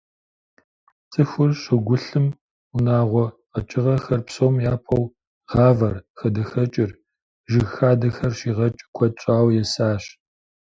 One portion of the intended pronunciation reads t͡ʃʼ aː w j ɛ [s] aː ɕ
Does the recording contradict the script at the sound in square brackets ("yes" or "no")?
no